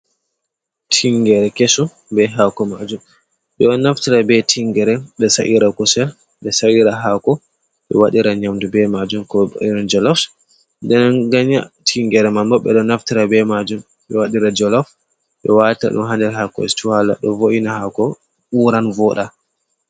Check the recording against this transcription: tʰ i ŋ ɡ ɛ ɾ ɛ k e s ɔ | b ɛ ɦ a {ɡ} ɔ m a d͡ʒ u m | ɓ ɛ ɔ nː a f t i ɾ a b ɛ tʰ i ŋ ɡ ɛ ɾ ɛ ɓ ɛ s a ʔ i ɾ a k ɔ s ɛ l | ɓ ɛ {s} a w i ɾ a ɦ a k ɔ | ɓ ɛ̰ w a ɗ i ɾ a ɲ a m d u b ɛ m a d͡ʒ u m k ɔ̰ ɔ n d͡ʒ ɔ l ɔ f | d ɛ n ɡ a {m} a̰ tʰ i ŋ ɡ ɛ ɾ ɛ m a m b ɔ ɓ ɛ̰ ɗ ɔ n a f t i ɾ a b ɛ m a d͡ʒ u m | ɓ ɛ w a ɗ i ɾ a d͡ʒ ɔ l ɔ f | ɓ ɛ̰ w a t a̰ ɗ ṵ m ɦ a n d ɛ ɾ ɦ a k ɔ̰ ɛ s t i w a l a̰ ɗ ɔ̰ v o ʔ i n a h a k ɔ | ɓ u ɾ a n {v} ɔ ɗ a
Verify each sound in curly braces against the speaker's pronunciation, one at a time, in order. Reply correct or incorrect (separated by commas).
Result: incorrect, correct, incorrect, correct